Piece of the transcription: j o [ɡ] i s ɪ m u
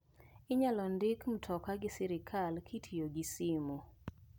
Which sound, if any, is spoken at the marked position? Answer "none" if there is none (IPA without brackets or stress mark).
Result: ɡ